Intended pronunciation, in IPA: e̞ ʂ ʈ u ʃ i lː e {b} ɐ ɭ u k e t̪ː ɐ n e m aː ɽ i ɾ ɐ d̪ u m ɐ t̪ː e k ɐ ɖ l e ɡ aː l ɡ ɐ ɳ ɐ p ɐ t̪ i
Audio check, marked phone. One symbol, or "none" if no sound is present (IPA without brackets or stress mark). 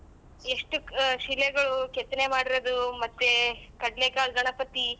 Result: ɡ